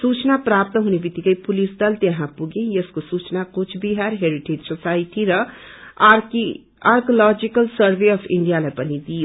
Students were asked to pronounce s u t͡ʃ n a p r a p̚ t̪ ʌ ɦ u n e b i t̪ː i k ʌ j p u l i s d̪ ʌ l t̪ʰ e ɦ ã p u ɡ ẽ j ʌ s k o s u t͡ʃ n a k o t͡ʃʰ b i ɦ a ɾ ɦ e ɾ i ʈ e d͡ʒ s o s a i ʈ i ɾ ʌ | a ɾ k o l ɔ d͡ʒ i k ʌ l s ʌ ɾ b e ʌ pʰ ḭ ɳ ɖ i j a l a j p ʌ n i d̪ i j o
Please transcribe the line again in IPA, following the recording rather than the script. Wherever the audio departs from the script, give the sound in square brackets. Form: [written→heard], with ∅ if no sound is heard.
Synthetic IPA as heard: s u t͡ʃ n a p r a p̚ t̪ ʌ ɦ u n e b i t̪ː i k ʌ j p u l i s d̪ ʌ l [t̪ʰ→t̪] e ɦ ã p u ɡ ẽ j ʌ s k o s u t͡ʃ n a k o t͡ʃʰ b i ɦ a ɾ ɦ e ɾ i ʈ e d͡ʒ s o s a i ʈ i ɾ ʌ | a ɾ k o l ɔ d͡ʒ i k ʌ l s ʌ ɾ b e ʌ pʰ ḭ ɳ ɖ i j a l a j p ʌ n i d̪ i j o